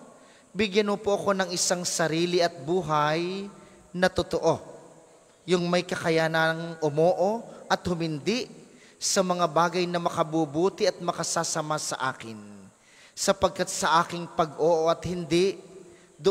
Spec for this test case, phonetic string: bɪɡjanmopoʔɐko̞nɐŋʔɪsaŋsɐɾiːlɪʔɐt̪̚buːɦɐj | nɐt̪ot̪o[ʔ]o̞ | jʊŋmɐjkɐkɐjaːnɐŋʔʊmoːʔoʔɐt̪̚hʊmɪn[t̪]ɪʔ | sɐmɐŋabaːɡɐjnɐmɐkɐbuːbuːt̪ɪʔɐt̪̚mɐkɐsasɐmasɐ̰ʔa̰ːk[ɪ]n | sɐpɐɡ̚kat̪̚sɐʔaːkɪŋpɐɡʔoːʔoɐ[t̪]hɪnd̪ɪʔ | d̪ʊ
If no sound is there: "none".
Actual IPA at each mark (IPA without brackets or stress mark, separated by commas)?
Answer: ʔ, d̪, ɪ, t̪